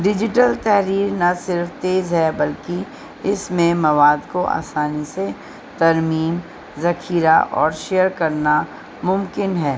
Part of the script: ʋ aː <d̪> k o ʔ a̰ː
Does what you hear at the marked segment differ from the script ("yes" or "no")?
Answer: no